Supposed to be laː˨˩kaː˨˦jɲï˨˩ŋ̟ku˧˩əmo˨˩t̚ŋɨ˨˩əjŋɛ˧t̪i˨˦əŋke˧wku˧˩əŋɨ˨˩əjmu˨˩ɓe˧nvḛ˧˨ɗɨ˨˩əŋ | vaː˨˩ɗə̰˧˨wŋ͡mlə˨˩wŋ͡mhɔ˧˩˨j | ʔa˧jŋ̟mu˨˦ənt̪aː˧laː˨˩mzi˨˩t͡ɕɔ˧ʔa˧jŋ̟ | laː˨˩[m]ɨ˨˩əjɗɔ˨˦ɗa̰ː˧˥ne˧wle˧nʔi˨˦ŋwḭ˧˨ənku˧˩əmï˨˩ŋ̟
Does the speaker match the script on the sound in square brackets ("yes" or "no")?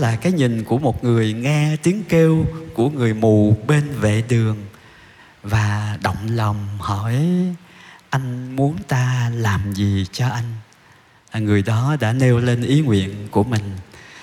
no